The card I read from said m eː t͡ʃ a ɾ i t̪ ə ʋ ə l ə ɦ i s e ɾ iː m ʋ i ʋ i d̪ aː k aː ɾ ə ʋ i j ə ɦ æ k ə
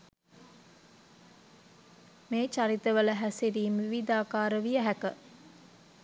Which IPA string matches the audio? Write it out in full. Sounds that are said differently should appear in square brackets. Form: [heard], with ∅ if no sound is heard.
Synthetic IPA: m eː t͡ʃ a ɾ i t̪ ə ʋ ə l ə ɦ [æ] s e ɾ iː m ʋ i ʋ i d̪ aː k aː ɾ ə ʋ i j ə ɦ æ k ə

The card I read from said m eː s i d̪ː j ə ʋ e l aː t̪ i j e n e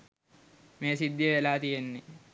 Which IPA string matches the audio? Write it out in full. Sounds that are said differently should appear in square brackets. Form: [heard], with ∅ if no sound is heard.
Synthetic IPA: m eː s i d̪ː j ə ʋ e l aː t̪ i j e [nː] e

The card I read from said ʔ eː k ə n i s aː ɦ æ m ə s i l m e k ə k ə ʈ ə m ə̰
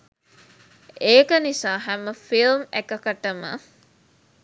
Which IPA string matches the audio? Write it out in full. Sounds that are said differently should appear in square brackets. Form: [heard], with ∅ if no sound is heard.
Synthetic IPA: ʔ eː k ə n i s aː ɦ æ m ə [f] i l m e k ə k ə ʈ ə m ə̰

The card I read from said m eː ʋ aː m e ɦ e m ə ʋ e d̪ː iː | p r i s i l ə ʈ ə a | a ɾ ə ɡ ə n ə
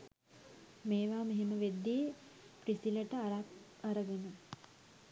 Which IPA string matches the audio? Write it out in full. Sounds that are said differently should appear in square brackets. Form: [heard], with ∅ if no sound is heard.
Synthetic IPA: m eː ʋ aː m e ɦ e m ə ʋ e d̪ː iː | p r i s i l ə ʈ ə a | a ɾ ə ɡ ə n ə

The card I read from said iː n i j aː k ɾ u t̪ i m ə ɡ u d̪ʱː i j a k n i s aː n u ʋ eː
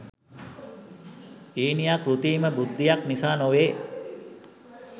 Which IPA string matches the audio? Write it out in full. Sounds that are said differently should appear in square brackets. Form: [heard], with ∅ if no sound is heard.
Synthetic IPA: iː n i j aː k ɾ u t̪ [iː] m ə [b] u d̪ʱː i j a k n i s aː n [o] ʋ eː

